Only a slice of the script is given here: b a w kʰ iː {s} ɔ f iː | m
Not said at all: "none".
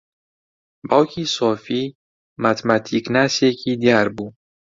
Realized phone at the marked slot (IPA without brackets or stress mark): s